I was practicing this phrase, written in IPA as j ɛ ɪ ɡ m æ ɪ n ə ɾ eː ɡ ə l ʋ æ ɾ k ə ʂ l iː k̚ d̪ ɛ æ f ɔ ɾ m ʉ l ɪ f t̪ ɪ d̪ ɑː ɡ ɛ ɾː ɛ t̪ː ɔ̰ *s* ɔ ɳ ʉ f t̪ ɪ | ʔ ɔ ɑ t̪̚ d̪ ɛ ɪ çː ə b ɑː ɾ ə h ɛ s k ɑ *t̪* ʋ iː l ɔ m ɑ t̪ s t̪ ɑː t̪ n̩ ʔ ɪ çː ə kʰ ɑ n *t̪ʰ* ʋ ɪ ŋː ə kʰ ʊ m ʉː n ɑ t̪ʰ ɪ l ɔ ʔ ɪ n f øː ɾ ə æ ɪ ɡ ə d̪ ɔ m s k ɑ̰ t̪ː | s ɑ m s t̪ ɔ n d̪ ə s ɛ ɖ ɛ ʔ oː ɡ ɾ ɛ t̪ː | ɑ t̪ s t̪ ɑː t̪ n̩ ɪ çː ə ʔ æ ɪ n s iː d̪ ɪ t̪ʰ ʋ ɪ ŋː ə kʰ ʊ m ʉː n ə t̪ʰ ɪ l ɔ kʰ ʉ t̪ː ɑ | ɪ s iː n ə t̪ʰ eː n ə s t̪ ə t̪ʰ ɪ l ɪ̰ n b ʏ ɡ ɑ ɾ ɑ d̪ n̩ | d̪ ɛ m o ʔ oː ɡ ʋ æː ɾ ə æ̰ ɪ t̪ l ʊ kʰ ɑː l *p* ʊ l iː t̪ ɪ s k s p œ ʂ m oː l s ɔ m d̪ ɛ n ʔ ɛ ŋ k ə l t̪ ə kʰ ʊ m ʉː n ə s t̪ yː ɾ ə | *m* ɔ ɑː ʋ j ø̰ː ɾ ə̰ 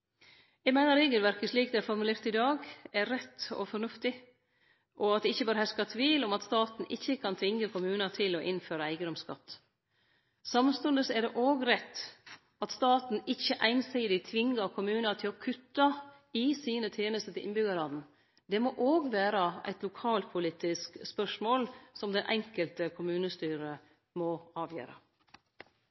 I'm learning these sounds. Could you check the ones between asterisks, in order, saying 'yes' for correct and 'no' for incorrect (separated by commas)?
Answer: no, no, yes, no, yes